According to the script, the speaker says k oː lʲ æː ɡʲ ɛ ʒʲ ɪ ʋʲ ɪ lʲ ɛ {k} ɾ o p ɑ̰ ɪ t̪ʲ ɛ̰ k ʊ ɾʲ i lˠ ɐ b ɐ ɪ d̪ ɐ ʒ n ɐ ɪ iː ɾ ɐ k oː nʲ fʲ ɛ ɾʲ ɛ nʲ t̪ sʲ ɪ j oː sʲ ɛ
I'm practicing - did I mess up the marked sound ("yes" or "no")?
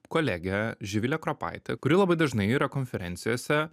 no